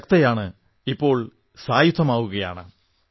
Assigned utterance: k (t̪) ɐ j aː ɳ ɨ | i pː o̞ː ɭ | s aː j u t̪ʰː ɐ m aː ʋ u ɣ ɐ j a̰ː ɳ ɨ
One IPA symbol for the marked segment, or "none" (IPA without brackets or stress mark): t̪